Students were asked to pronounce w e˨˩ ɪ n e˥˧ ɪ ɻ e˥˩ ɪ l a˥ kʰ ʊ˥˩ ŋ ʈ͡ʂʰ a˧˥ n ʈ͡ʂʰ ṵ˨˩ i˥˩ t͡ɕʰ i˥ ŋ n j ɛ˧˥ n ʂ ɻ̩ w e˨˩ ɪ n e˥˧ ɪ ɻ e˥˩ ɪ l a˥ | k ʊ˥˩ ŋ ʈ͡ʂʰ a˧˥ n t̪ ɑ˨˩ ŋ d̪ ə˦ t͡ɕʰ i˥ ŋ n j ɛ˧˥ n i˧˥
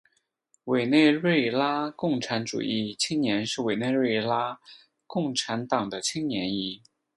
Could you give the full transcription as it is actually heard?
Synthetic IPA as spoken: w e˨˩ ɪ n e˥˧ ɪ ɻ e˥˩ ɪ l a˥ k ʊ˥˩ ŋ ʈ͡ʂʰ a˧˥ n ʈ͡ʂ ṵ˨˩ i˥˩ t͡ɕʰ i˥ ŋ n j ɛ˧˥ n ʂ ɻ̩ w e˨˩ ɪ n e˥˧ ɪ ɻ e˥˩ ɪ l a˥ | k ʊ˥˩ ŋ ʈ͡ʂʰ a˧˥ n t̪ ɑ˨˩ ŋ d̪ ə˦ t͡ɕʰ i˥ ŋ n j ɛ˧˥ n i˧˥